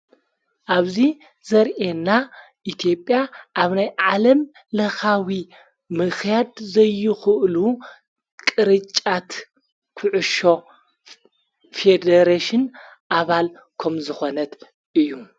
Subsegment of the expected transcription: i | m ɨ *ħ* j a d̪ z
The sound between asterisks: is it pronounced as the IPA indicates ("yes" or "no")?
no